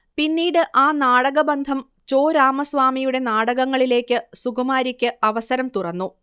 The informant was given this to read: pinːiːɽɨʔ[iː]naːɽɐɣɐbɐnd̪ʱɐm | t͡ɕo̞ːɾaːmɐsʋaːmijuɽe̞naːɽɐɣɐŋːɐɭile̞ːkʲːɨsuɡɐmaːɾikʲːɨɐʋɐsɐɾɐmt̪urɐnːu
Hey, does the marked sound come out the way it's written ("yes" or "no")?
no